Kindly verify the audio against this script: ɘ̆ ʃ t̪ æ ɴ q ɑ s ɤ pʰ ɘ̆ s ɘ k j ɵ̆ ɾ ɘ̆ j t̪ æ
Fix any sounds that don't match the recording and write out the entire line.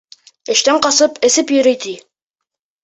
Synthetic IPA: ɘ̆ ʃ t̪ æ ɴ q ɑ s ɤ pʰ ɘ̆ s ɘ p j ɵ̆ ɾ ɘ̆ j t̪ i